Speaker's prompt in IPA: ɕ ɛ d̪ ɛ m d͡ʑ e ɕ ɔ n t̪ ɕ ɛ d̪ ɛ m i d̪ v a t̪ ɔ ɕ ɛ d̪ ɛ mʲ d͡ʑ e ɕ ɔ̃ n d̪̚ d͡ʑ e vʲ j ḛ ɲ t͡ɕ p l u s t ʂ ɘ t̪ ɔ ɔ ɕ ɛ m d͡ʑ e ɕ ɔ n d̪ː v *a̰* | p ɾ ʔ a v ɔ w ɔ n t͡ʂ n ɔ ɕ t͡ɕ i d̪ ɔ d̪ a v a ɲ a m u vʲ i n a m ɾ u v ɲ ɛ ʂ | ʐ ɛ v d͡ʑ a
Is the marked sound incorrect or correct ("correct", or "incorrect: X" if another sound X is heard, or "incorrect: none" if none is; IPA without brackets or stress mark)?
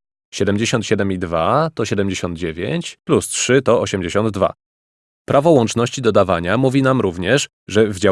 correct